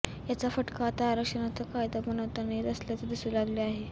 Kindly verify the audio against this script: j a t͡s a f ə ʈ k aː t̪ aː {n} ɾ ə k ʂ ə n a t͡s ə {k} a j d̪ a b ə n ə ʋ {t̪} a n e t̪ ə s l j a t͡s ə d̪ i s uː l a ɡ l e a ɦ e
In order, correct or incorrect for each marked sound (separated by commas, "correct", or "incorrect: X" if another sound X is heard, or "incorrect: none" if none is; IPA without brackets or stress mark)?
incorrect: none, correct, correct